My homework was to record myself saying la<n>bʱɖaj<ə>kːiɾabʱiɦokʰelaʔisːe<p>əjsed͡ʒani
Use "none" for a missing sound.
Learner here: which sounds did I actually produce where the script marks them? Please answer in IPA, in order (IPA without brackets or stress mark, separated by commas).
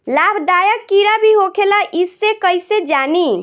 none, ə, k